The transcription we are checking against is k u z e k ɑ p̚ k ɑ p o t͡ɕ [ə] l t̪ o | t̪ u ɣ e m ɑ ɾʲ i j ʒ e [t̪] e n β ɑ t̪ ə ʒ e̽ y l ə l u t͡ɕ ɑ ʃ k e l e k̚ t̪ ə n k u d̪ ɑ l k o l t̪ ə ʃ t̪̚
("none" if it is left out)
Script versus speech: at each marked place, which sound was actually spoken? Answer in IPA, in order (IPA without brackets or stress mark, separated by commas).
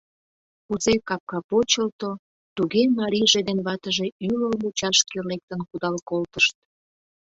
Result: ə, d̪